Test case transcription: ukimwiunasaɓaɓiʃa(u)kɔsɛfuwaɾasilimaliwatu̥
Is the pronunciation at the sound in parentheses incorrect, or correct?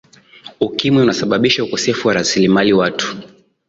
correct